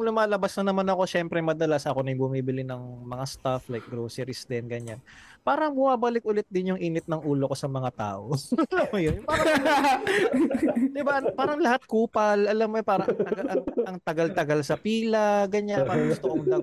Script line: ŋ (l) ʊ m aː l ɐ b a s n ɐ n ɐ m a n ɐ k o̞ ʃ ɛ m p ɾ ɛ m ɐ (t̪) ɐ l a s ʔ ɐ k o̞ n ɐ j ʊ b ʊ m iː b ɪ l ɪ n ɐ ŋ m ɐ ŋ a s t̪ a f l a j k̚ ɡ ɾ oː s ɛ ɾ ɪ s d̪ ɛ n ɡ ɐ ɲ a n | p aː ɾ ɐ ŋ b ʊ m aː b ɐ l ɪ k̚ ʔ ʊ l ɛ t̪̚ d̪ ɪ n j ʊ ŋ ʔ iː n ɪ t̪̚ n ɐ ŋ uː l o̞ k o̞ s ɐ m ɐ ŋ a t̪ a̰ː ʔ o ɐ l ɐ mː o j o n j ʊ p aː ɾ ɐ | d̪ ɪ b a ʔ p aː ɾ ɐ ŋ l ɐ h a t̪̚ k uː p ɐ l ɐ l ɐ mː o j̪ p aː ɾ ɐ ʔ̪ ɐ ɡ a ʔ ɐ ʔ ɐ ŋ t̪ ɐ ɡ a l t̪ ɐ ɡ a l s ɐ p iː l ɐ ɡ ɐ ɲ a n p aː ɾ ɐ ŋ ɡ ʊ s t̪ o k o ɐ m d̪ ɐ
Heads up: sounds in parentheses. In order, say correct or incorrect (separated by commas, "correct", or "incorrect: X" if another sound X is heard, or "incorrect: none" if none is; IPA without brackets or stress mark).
correct, incorrect: d̪